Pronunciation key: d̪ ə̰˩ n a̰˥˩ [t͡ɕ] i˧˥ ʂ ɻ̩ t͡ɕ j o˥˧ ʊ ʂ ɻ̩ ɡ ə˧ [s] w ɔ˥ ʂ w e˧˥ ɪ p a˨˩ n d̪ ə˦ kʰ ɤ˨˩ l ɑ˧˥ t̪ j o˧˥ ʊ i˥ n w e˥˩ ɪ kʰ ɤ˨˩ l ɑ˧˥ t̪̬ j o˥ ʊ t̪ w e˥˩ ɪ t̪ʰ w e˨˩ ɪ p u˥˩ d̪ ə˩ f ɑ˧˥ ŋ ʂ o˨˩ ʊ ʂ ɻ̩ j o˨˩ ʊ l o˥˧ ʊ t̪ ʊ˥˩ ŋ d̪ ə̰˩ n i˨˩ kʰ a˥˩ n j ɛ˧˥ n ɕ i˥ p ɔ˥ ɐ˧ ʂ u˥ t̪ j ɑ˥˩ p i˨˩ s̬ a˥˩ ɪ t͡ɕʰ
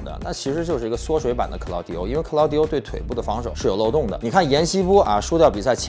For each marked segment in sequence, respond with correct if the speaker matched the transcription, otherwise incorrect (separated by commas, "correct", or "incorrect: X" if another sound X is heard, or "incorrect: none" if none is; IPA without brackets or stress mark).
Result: incorrect: t͡ɕʰ, correct